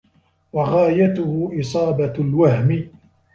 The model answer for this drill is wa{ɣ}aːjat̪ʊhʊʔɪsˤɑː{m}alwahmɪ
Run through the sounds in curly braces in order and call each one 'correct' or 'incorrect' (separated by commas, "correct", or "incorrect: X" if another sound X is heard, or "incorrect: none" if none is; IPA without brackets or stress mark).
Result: correct, incorrect: b